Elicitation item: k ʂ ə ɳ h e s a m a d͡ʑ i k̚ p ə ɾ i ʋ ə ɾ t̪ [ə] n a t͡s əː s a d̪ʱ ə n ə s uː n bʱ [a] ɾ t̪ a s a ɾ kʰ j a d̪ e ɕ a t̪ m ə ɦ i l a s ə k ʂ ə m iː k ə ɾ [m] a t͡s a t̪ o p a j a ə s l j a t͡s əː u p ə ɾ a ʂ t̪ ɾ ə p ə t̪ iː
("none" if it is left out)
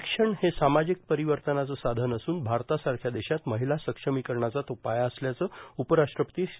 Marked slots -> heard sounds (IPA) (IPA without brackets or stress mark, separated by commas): ə, a, ɳ